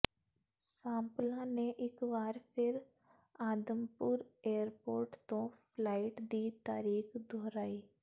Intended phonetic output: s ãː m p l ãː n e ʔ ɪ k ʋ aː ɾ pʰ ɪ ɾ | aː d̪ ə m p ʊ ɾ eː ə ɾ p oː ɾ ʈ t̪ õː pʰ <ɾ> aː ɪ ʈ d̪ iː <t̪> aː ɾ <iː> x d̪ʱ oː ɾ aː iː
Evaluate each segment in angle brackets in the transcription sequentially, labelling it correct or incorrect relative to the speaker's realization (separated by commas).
incorrect, correct, correct